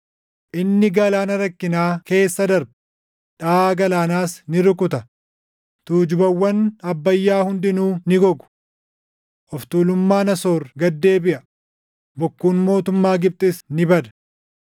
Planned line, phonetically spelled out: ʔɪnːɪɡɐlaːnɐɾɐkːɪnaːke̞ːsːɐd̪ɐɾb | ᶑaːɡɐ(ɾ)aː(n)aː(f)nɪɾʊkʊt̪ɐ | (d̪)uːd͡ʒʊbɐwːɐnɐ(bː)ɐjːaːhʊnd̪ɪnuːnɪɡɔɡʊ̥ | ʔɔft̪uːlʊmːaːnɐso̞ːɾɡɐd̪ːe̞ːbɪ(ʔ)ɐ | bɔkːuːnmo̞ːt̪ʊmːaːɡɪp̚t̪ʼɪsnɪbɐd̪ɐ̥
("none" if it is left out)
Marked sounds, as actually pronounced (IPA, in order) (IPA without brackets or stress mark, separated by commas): l, n, s, t̪, bː, ʔ